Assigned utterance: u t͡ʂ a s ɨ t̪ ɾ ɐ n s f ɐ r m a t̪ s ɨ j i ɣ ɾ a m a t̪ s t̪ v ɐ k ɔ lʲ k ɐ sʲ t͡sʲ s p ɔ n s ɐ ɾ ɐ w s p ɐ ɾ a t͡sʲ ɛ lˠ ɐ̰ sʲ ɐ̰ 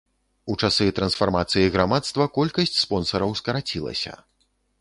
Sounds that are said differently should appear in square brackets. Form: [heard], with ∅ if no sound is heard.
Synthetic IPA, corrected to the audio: u t͡ʂ a s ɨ t̪ ɾ ɐ n s f [a] r m a t̪ s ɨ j i ɣ ɾ a m a t̪ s t̪ v ɐ k ɔ lʲ k ɐ sʲ t͡sʲ s p ɔ n s ɐ ɾ ɐ w s [k] ɐ ɾ a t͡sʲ [i] lˠ ɐ̰ sʲ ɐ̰